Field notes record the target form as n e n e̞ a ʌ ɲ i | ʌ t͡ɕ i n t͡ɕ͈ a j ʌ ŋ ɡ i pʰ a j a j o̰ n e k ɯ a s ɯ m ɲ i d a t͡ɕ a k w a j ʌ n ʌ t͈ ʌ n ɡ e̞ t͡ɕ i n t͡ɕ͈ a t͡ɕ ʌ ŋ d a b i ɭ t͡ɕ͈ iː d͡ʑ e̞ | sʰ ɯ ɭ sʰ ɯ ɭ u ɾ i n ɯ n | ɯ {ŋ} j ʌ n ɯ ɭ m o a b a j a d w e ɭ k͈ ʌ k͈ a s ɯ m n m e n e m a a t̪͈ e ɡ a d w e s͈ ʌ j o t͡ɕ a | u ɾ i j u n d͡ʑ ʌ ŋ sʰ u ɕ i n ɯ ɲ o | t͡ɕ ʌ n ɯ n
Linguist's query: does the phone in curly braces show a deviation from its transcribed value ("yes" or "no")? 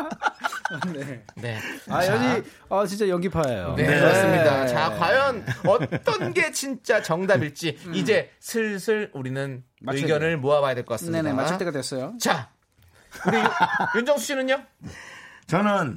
yes